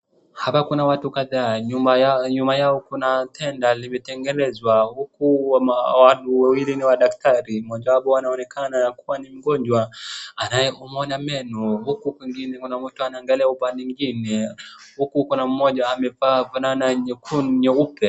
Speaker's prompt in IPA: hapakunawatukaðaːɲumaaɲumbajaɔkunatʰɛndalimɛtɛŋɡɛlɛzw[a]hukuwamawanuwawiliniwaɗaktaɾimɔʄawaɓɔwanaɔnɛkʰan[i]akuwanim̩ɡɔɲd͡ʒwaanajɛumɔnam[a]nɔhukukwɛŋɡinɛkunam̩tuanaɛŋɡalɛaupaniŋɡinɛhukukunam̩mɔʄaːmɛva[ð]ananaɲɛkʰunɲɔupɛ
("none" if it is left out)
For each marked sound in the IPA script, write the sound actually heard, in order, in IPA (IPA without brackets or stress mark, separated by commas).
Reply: a, a, ɛ, v